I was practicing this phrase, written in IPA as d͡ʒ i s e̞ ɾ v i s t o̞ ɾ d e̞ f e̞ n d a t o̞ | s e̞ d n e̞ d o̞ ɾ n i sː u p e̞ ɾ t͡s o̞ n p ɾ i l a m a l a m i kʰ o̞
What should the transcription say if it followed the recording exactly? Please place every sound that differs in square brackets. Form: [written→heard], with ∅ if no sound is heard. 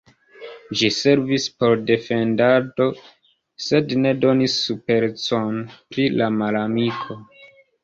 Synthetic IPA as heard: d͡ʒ i s e̞ ɾ v i s [t→p] o̞ ɾ d e̞ f e̞ n d a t o̞ | s e̞ d n e̞ d o̞ [ɾ→∅] n i sː u p e̞ ɾ t͡s o̞ n p ɾ i l a m a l a m i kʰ o̞